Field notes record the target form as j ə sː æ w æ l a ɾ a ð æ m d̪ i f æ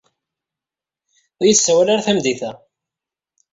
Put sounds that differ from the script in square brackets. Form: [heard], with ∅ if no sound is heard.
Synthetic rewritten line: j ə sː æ w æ l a ɾ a [θ] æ m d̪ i [θ] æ